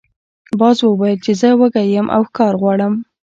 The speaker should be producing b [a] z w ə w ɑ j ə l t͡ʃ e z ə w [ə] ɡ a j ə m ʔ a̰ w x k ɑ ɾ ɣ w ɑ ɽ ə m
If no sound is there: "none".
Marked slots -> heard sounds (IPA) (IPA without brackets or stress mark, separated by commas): ɑ, ə